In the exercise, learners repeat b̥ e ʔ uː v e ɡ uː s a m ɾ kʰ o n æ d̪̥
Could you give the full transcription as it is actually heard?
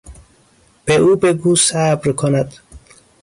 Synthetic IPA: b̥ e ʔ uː b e ɡ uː s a b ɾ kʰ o n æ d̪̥